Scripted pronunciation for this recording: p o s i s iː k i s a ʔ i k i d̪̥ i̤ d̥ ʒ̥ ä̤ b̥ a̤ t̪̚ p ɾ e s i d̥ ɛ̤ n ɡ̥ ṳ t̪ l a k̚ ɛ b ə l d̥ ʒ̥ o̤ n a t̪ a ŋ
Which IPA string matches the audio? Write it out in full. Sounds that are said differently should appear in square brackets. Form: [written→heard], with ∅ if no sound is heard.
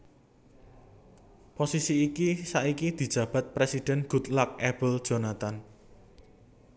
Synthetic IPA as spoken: p o s i s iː k i s a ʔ i k i d̪̥ i̤ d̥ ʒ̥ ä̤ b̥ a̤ t̪̚ p ɾ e s i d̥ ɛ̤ n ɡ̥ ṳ t̪ l a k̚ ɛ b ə l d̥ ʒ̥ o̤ n a t̪ a [ŋ→n]